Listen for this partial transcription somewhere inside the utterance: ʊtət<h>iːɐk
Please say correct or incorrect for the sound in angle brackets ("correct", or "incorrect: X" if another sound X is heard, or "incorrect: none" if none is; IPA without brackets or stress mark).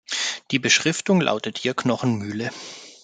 correct